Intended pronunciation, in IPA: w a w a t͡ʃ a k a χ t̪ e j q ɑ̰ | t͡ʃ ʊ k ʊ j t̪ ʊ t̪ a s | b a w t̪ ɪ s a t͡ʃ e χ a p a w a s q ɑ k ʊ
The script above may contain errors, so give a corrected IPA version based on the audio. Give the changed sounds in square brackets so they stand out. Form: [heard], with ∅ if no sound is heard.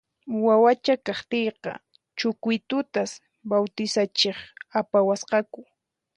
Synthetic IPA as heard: w a w a t͡ʃ a k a χ t̪ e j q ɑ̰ | t͡ʃ ʊ k ʊ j t̪ ʊ t̪ a s | b a w t̪ ɪ s a t͡ʃ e χ a p a w a s q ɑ k ʊ